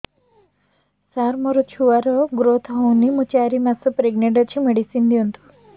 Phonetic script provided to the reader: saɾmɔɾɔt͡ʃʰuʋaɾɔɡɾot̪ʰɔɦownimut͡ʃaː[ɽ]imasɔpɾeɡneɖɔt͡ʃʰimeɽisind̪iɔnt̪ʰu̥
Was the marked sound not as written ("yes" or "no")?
yes